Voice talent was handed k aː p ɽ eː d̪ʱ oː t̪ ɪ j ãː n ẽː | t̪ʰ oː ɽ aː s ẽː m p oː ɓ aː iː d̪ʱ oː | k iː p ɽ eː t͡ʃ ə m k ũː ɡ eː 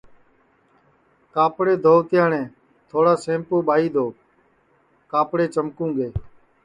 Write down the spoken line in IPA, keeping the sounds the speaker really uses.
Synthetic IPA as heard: k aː p ɽ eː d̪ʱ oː t̪ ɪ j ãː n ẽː | t̪ʰ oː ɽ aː s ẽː m p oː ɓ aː iː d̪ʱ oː | k aː p ɽ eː t͡ʃ ə m k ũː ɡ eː